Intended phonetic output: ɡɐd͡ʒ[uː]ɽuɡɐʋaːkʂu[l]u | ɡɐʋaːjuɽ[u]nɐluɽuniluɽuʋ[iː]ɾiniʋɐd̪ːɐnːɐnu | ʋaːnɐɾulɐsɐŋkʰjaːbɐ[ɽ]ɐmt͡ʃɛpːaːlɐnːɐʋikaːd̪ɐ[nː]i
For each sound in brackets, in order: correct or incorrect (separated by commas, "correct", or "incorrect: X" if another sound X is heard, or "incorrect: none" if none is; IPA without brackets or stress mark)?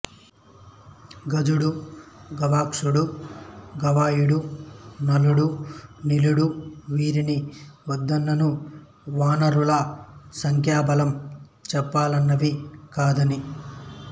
incorrect: u, incorrect: ɽ, correct, correct, incorrect: l, incorrect: n